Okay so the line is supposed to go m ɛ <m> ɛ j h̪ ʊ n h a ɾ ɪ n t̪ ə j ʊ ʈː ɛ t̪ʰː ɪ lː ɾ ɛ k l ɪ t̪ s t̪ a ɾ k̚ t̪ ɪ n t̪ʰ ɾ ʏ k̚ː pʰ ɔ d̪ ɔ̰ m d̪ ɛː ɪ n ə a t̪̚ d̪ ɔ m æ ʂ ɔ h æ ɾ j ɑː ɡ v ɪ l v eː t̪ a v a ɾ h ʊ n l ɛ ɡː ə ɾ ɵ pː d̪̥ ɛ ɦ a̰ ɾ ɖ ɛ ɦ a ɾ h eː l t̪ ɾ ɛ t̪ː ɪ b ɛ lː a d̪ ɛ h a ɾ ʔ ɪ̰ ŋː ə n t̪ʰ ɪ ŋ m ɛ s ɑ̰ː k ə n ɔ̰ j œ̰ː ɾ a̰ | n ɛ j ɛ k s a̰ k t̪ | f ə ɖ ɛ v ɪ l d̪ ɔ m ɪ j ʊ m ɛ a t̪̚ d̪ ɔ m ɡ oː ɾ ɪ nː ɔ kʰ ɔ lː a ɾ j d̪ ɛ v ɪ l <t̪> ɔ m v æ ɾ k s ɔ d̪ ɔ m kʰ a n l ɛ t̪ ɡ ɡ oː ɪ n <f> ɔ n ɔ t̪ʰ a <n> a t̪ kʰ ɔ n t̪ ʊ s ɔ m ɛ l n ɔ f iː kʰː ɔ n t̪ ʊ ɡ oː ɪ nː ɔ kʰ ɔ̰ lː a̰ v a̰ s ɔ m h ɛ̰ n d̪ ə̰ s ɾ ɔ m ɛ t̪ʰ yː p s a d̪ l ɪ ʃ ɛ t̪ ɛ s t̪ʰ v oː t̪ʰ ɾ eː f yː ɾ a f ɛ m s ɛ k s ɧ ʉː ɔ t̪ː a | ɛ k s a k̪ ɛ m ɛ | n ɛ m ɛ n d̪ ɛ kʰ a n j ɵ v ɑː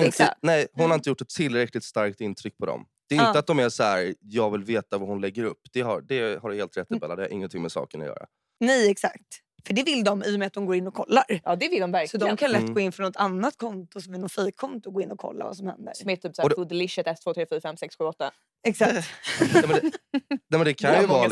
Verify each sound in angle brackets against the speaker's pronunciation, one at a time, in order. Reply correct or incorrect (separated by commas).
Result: incorrect, incorrect, correct, incorrect